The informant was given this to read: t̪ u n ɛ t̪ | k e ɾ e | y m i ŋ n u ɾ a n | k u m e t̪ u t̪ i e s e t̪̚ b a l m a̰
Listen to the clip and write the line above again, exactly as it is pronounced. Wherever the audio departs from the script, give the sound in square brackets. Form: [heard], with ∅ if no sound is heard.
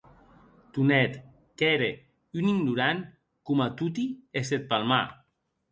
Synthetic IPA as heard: t̪ u n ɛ t̪ | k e ɾ e | y [n] i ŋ n u ɾ a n | k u m [a] t̪ u t̪ i e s e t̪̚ [p] a l m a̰